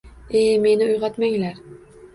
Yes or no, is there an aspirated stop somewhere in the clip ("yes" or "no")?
no